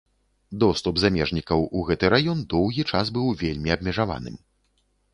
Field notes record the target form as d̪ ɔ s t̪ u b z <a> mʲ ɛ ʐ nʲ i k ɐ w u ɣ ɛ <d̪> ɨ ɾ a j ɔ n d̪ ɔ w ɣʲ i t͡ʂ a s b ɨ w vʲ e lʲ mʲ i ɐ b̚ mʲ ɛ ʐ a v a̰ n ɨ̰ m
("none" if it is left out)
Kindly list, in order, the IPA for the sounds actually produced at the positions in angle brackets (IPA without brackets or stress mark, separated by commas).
a, t̪